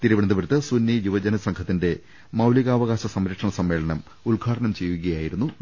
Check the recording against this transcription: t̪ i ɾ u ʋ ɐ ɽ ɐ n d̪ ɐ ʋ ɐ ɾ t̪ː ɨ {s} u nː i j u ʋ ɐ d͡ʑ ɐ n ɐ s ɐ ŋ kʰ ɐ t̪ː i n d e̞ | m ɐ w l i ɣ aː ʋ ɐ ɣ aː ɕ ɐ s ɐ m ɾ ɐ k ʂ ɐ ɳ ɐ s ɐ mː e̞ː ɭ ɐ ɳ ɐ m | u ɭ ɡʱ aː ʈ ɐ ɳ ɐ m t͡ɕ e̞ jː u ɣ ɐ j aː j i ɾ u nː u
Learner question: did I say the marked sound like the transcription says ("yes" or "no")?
yes